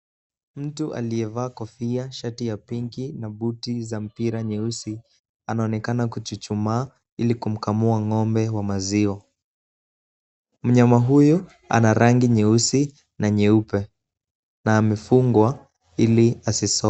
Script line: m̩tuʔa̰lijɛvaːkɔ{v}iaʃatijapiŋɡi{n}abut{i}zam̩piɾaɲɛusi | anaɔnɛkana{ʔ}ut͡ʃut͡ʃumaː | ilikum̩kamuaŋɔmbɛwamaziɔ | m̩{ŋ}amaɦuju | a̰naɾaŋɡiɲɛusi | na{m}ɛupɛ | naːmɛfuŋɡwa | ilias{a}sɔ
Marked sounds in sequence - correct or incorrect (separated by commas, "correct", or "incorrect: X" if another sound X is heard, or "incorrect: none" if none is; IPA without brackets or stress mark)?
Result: incorrect: f, correct, correct, incorrect: k, incorrect: ɲ, incorrect: ɲ, incorrect: i